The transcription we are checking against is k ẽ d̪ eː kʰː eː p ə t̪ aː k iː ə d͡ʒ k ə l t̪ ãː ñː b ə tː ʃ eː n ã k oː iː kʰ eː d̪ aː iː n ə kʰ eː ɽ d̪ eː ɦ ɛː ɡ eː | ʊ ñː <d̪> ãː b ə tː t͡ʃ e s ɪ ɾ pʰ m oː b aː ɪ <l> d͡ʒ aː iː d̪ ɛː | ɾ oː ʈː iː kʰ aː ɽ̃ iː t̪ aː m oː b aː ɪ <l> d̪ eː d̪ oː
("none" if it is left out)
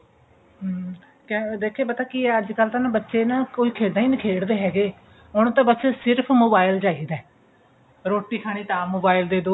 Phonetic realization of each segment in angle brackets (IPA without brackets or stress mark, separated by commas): t̪, l, l